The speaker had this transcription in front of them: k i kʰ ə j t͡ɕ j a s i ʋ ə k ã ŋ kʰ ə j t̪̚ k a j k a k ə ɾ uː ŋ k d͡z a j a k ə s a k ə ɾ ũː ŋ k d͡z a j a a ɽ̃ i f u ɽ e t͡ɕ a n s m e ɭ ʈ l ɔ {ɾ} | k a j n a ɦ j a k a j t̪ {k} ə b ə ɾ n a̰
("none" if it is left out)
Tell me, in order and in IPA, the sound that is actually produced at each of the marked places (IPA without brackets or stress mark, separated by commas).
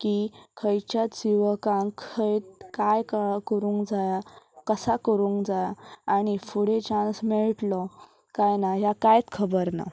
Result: none, kʰ